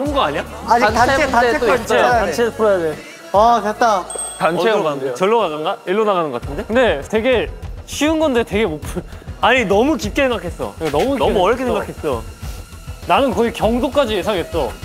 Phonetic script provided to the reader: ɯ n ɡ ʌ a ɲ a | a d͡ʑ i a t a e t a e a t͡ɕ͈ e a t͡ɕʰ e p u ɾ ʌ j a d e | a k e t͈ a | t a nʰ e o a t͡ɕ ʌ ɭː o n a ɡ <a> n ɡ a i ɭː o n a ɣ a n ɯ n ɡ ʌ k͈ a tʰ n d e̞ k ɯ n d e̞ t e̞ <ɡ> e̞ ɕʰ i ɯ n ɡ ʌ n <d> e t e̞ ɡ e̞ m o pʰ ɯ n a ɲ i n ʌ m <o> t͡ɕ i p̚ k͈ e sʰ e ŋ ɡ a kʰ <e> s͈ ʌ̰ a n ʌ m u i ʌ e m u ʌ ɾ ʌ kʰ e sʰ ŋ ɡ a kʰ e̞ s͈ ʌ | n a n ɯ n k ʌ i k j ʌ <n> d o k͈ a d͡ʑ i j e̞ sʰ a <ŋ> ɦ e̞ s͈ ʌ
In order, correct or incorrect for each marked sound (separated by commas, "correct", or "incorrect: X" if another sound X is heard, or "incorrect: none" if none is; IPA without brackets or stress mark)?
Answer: correct, correct, correct, incorrect: u, correct, incorrect: ŋ, correct